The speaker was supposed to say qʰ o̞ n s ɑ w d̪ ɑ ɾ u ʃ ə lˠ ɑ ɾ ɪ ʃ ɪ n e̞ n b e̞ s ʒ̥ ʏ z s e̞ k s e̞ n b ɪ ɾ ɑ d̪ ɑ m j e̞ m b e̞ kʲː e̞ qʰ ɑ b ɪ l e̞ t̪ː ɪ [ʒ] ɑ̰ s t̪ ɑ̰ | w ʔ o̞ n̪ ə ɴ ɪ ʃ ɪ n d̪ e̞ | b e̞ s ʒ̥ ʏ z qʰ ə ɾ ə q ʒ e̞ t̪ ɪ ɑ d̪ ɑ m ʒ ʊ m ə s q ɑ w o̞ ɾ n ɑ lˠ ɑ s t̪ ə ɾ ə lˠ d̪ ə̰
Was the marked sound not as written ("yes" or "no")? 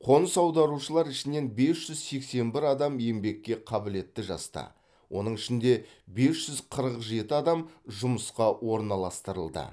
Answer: no